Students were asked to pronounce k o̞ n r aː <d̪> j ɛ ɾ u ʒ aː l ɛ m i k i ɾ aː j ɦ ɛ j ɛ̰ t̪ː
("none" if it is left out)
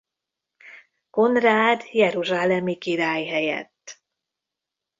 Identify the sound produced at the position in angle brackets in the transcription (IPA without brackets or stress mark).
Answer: d̪